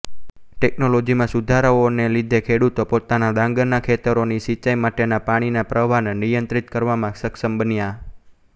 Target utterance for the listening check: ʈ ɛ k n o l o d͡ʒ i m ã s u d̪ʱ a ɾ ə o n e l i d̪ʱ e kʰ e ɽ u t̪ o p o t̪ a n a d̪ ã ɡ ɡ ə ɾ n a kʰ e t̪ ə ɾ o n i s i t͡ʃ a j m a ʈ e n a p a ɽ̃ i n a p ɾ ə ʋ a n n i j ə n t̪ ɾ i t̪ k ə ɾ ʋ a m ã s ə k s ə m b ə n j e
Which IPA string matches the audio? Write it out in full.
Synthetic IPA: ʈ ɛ k n o l o d͡ʒ i m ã s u d̪ʱ a ɾ ə o n e l i d̪ʱ e kʰ e ɽ u t̪ o p o t̪ a n a d̪ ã ŋ ɡ ə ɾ n a kʰ e t̪ ə ɾ o n i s i t͡ʃ a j m a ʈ e n a p a ɽ̃ i n a p ɾ ə ʋ a n n i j ə n t̪ ɾ i t̪ k ə ɾ ʋ a m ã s ə k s ə m b ə n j a